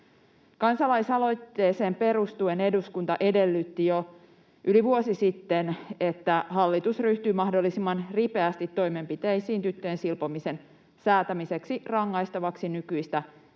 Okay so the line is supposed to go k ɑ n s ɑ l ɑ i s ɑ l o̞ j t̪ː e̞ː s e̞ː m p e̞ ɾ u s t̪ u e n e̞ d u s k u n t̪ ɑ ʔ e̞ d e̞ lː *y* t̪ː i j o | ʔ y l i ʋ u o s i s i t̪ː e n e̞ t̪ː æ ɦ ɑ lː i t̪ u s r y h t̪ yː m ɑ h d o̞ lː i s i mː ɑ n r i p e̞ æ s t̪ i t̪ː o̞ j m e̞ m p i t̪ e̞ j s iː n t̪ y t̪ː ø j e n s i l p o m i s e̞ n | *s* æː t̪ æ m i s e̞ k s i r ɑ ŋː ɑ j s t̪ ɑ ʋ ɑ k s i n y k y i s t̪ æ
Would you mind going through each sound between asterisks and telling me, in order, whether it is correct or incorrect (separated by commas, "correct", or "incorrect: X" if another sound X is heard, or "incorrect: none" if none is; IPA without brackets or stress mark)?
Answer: correct, correct